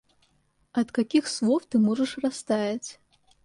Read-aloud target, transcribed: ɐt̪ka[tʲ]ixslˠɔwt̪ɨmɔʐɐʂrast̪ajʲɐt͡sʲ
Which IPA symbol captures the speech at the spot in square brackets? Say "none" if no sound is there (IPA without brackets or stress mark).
kʲ